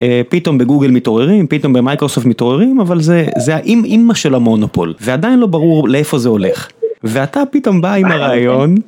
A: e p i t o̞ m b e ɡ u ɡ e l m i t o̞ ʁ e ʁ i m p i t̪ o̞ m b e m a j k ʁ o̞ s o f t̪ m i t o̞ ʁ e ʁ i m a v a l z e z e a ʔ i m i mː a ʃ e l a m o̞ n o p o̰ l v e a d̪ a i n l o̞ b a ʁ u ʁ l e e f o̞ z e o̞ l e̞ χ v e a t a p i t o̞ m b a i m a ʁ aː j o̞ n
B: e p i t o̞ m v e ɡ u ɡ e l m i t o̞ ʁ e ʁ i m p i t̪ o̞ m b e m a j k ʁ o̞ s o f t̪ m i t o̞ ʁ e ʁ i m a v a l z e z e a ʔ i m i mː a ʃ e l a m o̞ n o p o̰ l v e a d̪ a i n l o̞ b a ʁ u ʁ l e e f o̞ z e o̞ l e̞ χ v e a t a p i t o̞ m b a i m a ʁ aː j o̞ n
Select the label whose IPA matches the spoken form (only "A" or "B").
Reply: A